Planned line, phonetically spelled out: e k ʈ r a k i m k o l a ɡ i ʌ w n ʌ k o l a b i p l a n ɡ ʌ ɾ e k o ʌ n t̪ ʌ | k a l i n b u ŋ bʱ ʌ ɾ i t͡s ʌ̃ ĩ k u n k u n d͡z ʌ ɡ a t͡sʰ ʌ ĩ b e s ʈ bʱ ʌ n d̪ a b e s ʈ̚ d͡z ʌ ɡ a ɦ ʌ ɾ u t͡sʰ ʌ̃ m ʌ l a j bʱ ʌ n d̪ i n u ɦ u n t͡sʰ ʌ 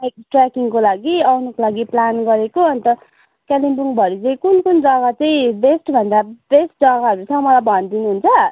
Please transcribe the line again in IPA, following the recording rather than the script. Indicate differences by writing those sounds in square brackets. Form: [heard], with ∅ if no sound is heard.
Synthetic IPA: e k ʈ r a k i [ŋ] k o l a ɡ i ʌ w n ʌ k o l a [ɡ] i p l a n ɡ ʌ ɾ e k o ʌ n t̪ ʌ | k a l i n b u ŋ bʱ ʌ ɾ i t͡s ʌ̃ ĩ k u n k u n d͡z ʌ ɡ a [t͡s] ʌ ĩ b e s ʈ bʱ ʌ n d̪ a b e s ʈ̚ d͡z ʌ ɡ a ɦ ʌ ɾ u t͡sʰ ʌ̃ m ʌ l a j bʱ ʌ n d̪ i n u ɦ u n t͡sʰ ʌ